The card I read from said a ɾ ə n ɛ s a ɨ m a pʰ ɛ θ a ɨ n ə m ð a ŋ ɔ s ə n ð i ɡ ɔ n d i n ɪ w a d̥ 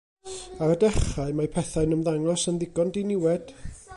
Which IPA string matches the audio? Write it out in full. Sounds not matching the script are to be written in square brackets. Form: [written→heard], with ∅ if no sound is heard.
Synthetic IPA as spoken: a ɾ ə [n→d] ɛ [s→χ] a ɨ m a pʰ ɛ θ a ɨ n ə m ð a ŋ ɔ s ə n ð [i→ɪ] ɡ ɔ n d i n ɪ w [a→ɛ] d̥